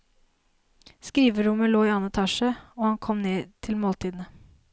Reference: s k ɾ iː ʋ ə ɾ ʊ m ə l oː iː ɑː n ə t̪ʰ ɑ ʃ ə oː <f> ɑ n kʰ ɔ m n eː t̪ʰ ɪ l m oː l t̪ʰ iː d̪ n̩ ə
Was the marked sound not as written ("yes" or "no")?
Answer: yes